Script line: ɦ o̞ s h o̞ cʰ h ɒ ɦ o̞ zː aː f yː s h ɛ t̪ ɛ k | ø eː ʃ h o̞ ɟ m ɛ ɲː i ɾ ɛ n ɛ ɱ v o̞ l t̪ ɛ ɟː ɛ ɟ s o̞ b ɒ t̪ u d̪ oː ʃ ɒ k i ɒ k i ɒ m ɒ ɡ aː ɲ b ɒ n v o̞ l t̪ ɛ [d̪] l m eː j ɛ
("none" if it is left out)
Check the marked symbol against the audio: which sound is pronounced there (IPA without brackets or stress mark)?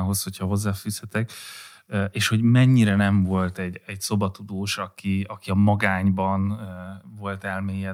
none